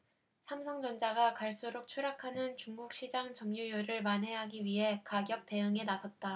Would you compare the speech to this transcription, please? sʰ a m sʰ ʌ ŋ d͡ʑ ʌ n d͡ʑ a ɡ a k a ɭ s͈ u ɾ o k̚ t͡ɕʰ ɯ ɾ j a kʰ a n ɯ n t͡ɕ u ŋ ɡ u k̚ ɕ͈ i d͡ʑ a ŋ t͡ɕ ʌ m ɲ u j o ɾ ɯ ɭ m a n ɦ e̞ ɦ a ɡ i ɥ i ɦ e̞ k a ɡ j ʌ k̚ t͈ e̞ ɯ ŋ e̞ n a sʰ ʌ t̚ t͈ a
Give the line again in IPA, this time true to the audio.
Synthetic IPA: sʰ a m sʰ ʌ ŋ d͡ʑ ʌ n d͡ʑ a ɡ a k a ɭ s͈ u ɾ o k̚ t͡ɕʰ u ɾ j a kʰ a n ɯ n t͡ɕ u ŋ ɡ u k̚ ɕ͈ i d͡ʑ a ŋ t͡ɕ ʌ m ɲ u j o ɾ ɯ ɭ m a n ɦ e̞ ɦ a ɡ i ɥ i ɦ e̞ k a ɡ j ʌ k̚ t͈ e̞ ɯ ŋ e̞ n a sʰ ʌ t̚ t͈ a